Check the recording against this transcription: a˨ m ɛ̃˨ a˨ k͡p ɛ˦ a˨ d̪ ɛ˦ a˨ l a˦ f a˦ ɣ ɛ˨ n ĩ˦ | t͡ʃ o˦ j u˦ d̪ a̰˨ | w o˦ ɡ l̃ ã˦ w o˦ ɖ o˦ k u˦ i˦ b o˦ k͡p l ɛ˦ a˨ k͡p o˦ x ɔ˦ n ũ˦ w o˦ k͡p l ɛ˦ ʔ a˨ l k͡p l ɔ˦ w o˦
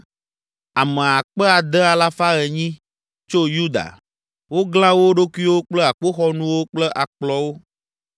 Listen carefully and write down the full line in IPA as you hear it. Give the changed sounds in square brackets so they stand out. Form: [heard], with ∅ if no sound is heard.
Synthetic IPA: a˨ m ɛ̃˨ a˨ k͡p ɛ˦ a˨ d̪ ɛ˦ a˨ l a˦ f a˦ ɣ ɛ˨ [ɲ] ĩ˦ | t͡ʃ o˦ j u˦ d̪ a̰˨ | w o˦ ɡ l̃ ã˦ w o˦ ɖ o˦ k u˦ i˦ [w] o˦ k͡p l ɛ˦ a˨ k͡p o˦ x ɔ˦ n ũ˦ w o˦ k͡p l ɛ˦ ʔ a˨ [∅] k͡p l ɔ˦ w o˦